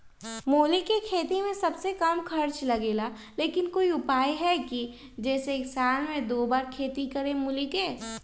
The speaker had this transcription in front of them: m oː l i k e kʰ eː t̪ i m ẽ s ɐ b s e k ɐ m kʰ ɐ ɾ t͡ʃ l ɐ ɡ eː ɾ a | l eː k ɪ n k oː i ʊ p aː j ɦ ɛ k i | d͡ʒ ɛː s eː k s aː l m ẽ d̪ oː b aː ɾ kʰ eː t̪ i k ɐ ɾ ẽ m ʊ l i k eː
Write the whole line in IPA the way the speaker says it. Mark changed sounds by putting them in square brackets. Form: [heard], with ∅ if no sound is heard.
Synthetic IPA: m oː l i k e kʰ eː t̪ i m ẽ s ɐ b s e k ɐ m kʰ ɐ ɾ t͡ʃ l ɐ ɡ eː [l] a | l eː k ɪ n k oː i ʊ p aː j ɦ ɛ k i | d͡ʒ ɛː s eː k s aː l m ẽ d̪ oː b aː ɾ kʰ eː t̪ i k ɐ ɾ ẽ m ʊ l i k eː